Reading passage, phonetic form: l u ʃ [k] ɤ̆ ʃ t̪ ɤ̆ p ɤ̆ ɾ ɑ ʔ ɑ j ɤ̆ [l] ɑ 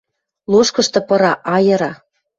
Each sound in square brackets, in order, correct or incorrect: correct, incorrect

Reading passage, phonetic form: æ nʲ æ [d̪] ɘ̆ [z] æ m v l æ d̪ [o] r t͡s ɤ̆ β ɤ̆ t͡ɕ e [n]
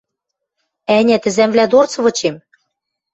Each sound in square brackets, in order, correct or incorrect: incorrect, correct, correct, incorrect

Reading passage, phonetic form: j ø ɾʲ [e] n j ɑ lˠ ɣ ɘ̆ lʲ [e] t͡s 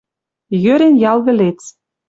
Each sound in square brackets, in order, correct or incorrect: correct, correct

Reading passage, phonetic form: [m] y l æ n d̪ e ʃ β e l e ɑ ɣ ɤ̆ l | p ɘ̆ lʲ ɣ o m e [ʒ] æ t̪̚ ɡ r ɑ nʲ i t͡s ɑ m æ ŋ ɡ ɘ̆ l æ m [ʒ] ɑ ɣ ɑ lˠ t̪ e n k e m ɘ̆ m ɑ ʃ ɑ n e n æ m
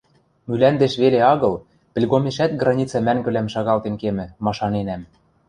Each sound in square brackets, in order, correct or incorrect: correct, incorrect, incorrect

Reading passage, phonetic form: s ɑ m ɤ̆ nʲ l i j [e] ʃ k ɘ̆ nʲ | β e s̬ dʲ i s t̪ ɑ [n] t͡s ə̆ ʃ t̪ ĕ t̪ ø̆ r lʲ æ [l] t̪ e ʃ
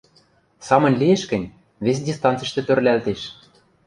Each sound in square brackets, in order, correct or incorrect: correct, correct, correct

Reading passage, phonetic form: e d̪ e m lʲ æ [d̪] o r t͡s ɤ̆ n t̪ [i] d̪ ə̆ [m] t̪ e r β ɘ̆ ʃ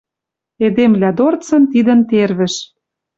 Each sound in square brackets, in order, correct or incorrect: correct, correct, incorrect

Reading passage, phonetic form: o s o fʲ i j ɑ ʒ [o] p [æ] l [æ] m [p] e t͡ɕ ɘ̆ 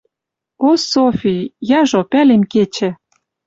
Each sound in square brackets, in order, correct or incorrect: correct, correct, incorrect, incorrect

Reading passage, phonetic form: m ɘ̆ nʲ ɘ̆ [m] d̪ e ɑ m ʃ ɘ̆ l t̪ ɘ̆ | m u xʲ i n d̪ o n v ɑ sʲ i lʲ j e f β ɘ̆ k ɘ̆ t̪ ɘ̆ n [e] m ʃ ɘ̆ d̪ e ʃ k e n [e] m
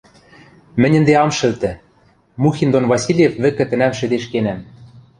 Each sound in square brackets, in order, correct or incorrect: incorrect, incorrect, incorrect

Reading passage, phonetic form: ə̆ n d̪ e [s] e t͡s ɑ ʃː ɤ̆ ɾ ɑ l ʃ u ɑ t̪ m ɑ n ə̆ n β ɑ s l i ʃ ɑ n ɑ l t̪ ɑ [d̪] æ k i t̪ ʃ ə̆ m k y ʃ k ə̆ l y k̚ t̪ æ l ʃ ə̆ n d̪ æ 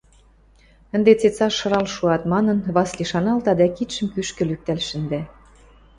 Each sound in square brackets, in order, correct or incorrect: incorrect, correct

